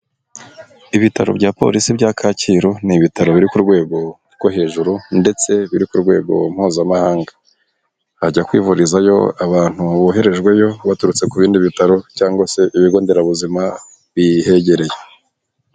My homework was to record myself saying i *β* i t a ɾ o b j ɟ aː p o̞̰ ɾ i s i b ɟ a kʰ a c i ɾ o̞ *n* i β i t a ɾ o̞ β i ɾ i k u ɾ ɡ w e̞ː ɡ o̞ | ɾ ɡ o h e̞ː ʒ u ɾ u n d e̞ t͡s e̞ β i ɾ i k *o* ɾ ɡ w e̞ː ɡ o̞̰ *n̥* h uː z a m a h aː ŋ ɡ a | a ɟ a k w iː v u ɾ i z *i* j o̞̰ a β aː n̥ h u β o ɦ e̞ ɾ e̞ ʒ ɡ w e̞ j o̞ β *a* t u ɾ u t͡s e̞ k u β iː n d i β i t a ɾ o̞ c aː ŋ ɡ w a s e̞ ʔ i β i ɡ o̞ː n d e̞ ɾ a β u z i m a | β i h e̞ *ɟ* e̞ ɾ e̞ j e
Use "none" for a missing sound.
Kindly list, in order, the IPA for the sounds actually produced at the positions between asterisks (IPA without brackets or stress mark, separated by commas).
β, n, u, m̥, a, a, ɟ